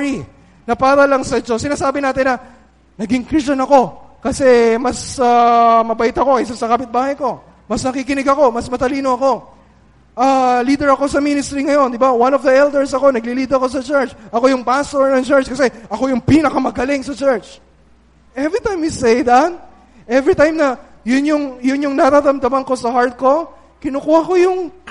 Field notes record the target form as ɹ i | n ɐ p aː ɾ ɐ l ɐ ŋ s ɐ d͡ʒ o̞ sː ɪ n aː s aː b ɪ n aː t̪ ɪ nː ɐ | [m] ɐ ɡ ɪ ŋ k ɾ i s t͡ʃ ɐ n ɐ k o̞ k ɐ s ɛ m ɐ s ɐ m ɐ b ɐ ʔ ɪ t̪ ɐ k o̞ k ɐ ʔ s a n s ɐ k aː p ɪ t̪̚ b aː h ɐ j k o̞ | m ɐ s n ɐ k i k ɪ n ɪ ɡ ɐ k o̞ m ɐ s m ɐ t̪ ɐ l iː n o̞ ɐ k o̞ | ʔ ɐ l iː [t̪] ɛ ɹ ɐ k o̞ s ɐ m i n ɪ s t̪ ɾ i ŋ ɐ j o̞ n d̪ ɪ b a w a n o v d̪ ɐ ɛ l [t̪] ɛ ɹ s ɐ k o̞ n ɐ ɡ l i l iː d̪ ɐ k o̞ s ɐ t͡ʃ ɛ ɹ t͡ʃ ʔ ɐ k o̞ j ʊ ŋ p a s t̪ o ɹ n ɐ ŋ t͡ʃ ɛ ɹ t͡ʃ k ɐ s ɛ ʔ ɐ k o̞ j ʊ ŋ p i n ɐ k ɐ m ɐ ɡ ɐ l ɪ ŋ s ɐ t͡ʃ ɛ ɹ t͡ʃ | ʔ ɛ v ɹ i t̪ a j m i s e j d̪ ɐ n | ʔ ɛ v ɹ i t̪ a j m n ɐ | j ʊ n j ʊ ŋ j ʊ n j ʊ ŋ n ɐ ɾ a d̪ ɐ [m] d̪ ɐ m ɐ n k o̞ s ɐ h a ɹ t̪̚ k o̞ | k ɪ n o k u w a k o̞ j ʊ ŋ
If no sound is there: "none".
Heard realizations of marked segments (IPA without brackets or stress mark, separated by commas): n, d̪, d̪, m